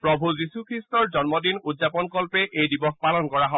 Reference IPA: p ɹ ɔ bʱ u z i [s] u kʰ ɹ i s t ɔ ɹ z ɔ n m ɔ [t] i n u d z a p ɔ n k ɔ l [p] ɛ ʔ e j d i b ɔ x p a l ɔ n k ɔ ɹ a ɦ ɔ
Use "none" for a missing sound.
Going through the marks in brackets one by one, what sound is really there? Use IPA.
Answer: s, d, p

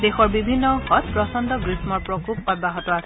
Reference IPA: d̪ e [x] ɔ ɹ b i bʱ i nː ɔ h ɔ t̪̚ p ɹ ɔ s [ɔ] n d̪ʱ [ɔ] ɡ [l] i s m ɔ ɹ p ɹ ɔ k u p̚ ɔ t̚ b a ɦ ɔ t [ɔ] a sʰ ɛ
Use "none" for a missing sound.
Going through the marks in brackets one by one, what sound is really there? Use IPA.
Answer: x, ɔ, ɔ, ɹ, ɔ

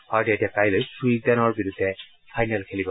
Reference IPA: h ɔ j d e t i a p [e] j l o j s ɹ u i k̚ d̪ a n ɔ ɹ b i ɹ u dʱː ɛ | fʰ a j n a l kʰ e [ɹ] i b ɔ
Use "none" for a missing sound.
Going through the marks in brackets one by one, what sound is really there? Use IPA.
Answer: a, l

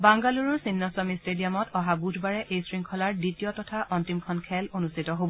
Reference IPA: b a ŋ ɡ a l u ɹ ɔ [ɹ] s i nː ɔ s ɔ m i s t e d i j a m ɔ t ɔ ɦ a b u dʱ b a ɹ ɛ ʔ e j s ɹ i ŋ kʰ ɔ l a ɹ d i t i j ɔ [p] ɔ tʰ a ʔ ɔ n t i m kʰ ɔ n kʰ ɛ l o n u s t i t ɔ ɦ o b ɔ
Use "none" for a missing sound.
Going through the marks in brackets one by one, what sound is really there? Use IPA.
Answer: ɹ, t

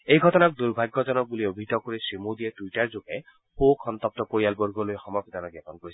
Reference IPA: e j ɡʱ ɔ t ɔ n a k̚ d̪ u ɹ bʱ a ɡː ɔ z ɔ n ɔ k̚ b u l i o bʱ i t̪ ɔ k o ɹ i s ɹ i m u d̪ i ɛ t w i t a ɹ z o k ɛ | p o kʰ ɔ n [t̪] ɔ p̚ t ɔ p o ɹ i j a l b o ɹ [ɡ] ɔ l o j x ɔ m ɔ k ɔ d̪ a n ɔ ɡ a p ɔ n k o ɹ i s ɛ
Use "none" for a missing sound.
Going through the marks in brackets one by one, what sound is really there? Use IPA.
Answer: t̪, ɡ

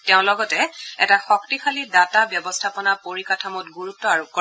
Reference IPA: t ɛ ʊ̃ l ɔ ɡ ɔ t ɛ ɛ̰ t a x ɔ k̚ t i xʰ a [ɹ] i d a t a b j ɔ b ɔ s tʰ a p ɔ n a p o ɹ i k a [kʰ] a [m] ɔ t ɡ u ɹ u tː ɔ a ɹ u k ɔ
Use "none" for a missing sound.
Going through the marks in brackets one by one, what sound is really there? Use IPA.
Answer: l, tʰ, m

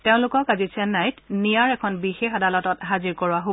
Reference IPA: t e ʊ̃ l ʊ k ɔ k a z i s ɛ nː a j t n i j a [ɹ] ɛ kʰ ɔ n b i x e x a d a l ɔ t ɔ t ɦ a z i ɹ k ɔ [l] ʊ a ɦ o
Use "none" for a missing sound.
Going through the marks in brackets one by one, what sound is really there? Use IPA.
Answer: ɹ, ɹ

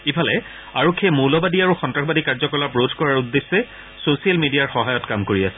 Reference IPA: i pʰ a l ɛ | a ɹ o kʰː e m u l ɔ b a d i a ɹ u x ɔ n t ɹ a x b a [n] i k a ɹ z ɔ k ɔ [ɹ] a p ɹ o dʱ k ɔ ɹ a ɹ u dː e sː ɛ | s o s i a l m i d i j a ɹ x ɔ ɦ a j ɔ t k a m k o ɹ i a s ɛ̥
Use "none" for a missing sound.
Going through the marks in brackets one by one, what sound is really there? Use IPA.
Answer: d, l

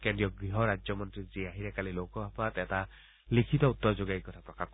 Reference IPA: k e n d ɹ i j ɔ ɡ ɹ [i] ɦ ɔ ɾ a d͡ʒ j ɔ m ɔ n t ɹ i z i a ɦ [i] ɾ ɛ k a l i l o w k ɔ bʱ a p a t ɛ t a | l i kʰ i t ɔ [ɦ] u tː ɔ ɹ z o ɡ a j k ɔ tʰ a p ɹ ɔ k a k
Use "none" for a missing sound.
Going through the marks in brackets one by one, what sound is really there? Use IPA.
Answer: i, i, none

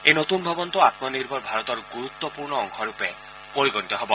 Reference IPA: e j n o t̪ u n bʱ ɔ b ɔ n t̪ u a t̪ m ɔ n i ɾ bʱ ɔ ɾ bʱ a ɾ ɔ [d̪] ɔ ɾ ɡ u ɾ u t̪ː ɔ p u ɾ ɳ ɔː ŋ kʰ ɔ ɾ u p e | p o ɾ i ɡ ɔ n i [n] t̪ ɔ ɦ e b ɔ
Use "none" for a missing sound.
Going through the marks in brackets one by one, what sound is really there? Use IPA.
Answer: t̪, none

